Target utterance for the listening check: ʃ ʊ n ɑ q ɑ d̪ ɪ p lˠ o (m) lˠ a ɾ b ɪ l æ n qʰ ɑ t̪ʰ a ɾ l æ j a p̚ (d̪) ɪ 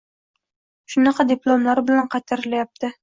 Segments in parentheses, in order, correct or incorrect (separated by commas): correct, incorrect